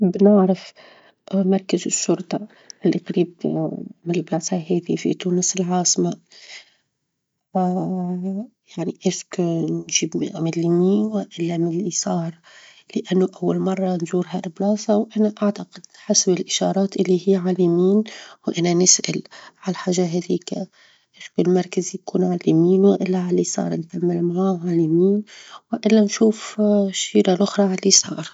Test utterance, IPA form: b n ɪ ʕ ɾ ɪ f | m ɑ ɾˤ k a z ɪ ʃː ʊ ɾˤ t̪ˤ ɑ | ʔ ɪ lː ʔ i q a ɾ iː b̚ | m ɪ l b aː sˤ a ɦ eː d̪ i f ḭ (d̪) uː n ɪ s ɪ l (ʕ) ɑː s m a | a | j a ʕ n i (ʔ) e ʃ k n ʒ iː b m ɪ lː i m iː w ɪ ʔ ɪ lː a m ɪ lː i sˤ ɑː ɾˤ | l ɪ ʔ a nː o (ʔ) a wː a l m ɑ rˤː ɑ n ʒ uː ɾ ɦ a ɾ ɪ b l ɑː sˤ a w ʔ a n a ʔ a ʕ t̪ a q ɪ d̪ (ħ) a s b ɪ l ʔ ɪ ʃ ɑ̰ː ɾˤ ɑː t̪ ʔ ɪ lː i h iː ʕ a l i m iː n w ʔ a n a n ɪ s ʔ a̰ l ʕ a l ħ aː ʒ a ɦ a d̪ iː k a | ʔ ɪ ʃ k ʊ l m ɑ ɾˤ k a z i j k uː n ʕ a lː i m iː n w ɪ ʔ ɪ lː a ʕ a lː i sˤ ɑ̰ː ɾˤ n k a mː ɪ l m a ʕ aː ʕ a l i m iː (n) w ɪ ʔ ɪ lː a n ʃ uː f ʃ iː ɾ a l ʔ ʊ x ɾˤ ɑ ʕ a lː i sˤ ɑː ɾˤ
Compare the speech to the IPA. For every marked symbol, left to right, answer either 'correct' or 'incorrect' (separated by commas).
incorrect, correct, correct, correct, correct, correct